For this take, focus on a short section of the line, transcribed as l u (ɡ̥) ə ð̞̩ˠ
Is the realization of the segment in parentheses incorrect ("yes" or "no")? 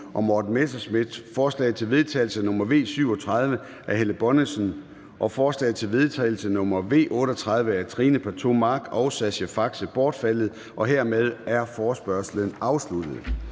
yes